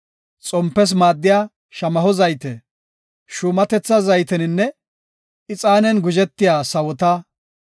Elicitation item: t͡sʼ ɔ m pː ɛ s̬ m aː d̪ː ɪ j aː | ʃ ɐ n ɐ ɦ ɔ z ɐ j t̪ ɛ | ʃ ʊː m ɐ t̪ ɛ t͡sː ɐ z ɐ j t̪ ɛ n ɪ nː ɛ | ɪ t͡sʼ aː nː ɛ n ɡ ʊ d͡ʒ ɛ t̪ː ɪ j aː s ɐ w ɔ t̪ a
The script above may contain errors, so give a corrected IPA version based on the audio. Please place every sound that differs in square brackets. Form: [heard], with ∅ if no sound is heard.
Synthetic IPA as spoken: t͡sʼ ɔ m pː ɛ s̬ m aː d̪ː ɪ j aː | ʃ ɐ [m] ɐ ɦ ɔ z ɐ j t̪ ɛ | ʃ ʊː m ɐ t̪ ɛ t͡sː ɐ z ɐ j t̪ ɛ n ɪ nː ɛ | ɪ t͡sʼ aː [n] ɛ n ɡ ʊ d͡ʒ ɛ t̪ː ɪ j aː s ɐ w ɔ t̪ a

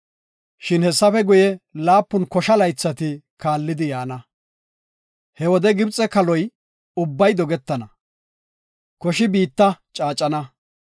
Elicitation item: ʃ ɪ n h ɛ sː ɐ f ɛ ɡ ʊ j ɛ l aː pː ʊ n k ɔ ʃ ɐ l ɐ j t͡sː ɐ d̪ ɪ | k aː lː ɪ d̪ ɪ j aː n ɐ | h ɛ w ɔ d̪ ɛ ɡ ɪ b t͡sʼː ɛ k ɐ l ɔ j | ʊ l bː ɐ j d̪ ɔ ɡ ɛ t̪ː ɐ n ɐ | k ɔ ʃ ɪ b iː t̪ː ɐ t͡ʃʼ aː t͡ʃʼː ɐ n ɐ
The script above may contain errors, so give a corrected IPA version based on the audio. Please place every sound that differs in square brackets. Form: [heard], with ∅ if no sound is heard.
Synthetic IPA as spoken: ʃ ɪ n h ɛ sː ɐ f ɛ ɡ ʊ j ɛ l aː pː ʊ n k ɔ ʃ ɐ l ɐ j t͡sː ɐ [t̪] ɪ | k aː lː ɪ d̪ ɪ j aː n ɐ | h ɛ w ɔ d̪ ɛ ɡ ɪ b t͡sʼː ɛ k ɐ l ɔ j | ʊ [∅] bː ɐ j d̪ ɔ ɡ ɛ t̪ː ɐ n ɐ | k ɔ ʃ ɪ b iː t̪ː ɐ t͡ʃʼ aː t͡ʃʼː ɐ n ɐ

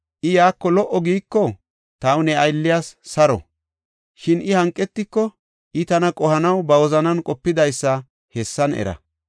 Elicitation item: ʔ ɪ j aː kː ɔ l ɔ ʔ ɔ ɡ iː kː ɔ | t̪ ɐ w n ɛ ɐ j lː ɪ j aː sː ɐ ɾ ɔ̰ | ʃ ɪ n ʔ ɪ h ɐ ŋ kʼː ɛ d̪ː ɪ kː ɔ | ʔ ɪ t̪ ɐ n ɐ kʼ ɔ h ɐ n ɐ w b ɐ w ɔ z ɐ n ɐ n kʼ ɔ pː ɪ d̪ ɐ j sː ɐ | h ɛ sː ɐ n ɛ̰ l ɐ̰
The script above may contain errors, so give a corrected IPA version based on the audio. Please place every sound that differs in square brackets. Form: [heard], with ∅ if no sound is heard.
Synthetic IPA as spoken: ʔ ɪ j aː kː ɔ l ɔ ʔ ɔ ɡ iː kː ɔ | t̪ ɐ w n ɛ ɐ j lː ɪ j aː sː ɐ ɾ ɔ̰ | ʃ ɪ n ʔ ɪ h ɐ ŋ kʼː ɛ [t̪ː] ɪ kː ɔ | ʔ ɪ t̪ ɐ n ɐ kʼ ɔ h ɐ n ɐ w b ɐ w ɔ z ɐ n ɐ n kʼ ɔ pː ɪ d̪ ɐ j sː ɐ | h ɛ sː ɐ n ɛ̰ [ɾ] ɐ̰

